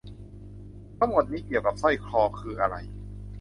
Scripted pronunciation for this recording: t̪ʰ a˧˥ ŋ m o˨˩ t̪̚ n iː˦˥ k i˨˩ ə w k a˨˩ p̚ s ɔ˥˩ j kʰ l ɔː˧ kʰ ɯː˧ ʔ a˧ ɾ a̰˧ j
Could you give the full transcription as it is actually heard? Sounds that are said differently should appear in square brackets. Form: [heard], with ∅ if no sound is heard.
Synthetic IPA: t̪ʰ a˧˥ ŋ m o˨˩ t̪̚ n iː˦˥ k i˨˩ ə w k a˨˩ p̚ s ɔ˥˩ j kʰ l ɔː˧ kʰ ɯː˧ ʔ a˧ ɾ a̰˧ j